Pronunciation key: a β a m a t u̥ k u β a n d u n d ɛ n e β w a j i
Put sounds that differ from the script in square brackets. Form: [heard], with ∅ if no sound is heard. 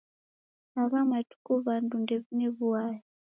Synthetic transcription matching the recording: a β a m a t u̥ k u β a n d u n d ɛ n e β [u] a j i